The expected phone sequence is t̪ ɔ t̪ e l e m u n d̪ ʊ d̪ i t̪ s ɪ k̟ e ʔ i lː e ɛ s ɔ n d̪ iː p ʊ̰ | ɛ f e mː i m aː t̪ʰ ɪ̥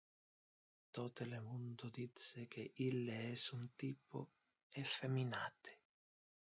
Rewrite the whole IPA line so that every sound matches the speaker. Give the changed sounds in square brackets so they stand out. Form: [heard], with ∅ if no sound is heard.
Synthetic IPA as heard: t̪ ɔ t̪ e l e m u n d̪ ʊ d̪ i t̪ s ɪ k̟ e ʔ i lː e ɛ s [u] n [t̪] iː p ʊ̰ | ɛ f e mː i [n] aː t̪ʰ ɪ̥